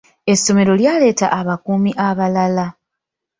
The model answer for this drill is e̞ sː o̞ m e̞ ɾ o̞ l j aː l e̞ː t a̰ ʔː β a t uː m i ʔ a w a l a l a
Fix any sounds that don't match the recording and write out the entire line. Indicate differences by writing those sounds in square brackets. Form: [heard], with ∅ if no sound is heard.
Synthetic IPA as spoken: e̞ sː o̞ m e̞ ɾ o̞ l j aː l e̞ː t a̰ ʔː β a [k] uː m i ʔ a [β] a l a l a